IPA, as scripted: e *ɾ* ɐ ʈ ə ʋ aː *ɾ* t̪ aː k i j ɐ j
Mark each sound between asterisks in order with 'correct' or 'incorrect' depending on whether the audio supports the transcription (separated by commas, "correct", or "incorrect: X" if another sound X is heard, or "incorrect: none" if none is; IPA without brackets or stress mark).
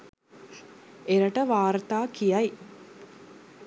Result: correct, correct